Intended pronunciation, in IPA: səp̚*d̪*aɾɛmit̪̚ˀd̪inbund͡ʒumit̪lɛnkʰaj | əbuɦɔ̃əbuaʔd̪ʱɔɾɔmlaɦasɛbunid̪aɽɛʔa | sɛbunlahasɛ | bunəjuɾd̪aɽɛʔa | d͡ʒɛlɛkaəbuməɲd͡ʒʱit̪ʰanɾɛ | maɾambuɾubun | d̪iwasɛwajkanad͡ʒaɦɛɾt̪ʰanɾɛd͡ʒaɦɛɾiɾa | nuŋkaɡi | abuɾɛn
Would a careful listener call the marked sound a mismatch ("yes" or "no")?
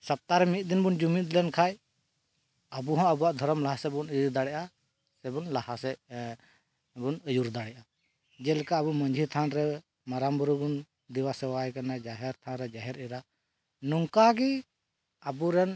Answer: yes